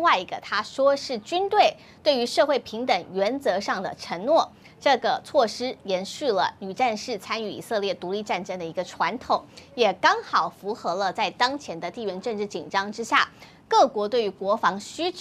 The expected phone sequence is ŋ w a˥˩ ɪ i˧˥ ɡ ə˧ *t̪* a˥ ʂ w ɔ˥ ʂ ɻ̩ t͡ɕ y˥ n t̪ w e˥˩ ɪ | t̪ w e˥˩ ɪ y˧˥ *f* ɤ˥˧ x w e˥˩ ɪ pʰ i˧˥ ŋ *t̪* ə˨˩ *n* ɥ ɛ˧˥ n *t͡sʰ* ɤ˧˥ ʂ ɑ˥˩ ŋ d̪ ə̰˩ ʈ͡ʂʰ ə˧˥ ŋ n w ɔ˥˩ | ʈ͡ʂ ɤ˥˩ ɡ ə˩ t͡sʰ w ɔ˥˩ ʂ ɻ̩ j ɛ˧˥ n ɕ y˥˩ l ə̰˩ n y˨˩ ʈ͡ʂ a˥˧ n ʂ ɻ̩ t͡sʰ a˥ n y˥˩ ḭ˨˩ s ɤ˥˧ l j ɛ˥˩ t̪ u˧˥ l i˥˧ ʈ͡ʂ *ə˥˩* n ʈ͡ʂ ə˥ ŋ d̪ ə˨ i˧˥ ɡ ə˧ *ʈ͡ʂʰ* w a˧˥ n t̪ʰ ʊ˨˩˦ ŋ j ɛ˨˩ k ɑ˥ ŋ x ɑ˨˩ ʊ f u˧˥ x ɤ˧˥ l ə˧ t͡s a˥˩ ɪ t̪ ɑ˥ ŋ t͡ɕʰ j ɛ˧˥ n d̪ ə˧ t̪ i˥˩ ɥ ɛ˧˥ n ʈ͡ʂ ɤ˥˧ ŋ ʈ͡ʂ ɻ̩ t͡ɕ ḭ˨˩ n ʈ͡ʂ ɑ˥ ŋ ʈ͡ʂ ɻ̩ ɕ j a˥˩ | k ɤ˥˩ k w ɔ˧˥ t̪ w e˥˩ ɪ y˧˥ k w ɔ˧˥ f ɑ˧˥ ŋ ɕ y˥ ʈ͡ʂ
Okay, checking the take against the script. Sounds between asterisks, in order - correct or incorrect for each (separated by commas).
incorrect, incorrect, correct, incorrect, incorrect, incorrect, correct